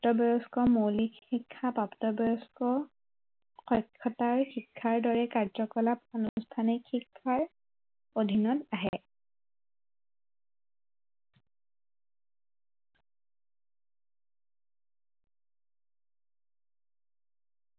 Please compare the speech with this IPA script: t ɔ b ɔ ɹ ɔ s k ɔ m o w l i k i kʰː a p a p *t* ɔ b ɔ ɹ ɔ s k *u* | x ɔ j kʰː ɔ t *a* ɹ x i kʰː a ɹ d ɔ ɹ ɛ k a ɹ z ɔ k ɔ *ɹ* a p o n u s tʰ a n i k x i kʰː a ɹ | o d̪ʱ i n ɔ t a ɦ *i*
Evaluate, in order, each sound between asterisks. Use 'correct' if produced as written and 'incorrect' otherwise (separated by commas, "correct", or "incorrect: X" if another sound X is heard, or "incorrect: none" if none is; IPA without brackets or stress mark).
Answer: correct, incorrect: ɔ, correct, incorrect: l, incorrect: ɛ